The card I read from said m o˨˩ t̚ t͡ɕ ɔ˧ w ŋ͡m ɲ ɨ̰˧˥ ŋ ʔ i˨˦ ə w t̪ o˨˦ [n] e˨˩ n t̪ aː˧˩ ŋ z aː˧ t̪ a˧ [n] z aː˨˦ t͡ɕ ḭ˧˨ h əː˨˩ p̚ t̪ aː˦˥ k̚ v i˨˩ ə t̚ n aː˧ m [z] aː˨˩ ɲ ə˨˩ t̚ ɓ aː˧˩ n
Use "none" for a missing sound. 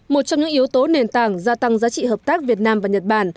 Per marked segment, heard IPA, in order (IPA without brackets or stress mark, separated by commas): n, ŋ, v